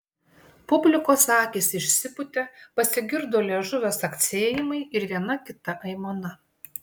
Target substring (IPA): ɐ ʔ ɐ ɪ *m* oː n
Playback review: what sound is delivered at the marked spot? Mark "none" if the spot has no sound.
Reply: m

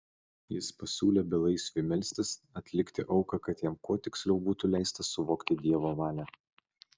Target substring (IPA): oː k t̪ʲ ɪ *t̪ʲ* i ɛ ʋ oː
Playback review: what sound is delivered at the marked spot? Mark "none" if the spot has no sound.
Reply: d̪ʲ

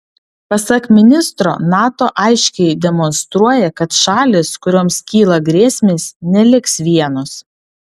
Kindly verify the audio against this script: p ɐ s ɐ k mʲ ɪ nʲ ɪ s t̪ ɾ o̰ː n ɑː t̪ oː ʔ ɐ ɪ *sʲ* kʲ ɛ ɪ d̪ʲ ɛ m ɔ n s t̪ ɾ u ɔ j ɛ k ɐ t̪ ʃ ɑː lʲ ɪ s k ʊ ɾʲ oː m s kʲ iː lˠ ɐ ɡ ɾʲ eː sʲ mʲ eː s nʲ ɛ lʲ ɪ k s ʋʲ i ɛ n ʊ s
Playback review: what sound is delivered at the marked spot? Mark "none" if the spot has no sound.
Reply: ʃʲ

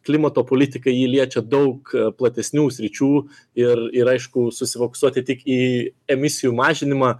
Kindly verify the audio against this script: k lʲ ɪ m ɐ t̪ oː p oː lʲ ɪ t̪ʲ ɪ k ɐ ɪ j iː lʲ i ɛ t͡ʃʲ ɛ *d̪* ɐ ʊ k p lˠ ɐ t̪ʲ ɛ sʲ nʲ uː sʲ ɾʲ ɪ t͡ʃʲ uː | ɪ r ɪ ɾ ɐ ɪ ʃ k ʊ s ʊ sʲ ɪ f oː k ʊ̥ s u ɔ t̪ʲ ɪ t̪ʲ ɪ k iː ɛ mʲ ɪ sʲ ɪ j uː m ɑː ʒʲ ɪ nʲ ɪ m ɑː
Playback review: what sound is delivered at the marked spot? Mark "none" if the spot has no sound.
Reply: d̪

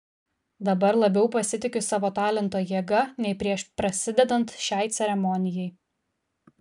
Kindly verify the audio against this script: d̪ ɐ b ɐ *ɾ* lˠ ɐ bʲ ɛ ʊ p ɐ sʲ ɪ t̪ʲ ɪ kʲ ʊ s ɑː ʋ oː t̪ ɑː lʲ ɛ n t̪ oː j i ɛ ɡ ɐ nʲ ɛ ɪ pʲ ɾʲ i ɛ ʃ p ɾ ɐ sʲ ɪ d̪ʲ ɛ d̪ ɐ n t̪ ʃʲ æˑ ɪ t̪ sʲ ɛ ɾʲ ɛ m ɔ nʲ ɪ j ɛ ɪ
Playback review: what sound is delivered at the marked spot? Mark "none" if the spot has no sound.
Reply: ɾ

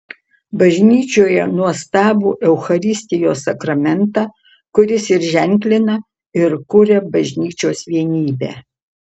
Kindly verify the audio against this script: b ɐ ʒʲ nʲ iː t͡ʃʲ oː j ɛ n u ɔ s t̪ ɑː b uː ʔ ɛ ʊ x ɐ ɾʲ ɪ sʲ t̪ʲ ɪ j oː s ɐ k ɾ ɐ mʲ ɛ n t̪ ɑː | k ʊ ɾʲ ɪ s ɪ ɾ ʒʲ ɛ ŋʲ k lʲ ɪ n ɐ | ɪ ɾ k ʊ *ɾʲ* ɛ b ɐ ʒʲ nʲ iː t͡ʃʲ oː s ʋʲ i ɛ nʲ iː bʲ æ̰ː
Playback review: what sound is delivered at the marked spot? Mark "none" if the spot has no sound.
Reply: ɾʲ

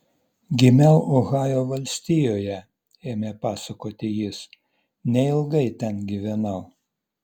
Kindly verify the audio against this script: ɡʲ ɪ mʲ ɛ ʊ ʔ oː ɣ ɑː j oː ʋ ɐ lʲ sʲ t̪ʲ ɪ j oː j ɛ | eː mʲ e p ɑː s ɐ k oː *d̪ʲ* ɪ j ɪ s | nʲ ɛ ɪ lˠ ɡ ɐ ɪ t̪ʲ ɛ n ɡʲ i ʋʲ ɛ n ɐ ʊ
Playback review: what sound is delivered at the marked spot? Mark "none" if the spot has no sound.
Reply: t̪ʲ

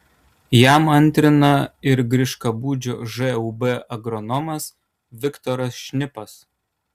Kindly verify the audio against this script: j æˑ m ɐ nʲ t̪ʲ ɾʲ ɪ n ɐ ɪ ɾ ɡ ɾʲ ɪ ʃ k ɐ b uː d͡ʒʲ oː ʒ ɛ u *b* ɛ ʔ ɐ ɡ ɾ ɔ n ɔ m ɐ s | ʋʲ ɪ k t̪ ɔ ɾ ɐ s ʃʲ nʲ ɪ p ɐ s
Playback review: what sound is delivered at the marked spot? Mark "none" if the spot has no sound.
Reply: b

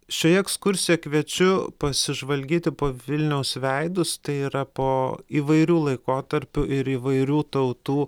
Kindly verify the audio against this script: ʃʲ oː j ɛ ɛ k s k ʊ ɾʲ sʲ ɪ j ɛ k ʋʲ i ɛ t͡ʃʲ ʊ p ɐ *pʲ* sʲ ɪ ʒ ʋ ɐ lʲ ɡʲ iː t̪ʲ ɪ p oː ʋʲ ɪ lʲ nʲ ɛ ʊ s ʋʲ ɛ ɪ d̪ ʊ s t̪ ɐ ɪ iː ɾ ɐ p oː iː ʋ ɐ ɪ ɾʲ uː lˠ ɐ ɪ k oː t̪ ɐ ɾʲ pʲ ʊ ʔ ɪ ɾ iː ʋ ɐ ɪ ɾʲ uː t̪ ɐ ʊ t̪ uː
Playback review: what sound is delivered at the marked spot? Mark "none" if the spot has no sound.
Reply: none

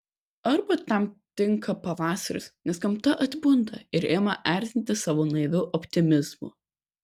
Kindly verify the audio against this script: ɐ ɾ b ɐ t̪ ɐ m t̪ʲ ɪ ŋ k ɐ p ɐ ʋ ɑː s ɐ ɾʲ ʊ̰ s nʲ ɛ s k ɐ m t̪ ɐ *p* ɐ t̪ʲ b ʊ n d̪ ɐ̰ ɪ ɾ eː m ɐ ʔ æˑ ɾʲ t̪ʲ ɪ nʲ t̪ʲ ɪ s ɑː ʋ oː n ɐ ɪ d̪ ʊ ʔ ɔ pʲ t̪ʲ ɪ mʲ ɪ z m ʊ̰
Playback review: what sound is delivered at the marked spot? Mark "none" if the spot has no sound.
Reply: ʔ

